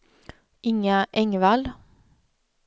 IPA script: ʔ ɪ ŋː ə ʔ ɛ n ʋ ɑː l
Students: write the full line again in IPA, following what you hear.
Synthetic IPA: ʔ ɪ ŋ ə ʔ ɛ ŋ ʋ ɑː l